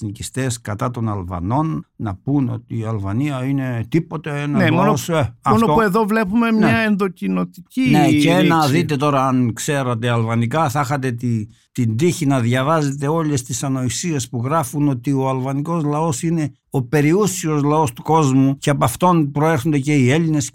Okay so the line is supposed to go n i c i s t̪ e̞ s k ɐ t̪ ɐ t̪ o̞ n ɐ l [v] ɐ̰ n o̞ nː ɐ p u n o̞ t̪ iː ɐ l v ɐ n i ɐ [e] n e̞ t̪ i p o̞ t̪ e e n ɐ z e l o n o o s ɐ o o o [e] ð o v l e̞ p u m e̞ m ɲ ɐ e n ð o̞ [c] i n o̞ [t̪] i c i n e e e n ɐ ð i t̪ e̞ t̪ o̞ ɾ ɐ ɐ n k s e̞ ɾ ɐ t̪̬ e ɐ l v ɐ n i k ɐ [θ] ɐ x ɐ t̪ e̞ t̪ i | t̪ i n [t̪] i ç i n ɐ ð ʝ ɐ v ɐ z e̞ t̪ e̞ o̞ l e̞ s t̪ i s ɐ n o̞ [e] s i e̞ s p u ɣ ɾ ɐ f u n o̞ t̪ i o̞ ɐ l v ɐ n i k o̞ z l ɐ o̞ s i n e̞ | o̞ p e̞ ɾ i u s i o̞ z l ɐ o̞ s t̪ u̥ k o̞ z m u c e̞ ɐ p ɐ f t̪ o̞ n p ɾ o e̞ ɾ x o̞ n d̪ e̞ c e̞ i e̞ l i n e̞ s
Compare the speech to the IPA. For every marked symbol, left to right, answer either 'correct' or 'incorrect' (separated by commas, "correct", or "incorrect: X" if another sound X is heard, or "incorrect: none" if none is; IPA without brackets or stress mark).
correct, incorrect: i, correct, correct, correct, correct, incorrect: d̪, incorrect: i